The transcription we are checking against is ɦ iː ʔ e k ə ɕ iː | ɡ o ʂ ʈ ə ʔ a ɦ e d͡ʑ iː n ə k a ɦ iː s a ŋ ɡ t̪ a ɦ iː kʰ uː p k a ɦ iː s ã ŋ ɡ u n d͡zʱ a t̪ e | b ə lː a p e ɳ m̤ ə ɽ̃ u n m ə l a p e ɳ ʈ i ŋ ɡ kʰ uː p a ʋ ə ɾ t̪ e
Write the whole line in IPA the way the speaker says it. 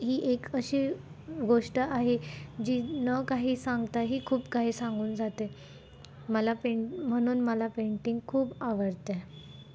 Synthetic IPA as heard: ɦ iː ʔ e k ə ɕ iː | ɡ o ʂ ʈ ə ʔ a ɦ e d͡ʑ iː n ə k a ɦ iː s a ŋ ɡ t̪ a ɦ iː kʰ uː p k a ɦ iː s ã ŋ ɡ uː n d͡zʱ a t̪ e | m ə l a p e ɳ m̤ ə ɽ̃ uː n m ə l a p e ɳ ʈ i ŋ ɡ kʰ uː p a ʋ ə ɾ t̪ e